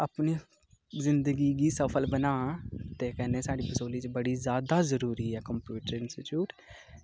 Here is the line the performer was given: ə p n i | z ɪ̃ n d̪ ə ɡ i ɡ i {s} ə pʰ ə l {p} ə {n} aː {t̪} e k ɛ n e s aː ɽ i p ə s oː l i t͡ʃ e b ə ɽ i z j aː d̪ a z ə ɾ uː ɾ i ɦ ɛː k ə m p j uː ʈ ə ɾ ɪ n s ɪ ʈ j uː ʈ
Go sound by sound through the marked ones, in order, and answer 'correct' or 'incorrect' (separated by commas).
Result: correct, incorrect, correct, correct